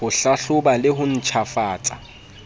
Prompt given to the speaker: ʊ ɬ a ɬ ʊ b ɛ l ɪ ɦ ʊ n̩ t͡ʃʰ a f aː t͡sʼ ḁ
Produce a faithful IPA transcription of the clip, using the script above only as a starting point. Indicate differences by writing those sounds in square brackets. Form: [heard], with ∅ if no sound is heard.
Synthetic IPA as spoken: ʊ ɬ a ɬ ʊ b [a] l ɪ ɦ ʊ n̩ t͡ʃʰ a f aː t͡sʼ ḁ